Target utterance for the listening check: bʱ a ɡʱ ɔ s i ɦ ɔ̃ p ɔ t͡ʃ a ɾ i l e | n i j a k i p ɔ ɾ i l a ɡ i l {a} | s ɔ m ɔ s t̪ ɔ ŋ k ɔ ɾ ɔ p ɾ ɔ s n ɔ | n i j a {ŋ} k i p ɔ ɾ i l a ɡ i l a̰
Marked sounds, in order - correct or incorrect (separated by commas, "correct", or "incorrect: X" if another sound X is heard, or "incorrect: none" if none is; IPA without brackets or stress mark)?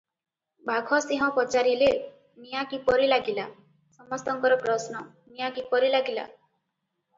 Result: correct, incorrect: none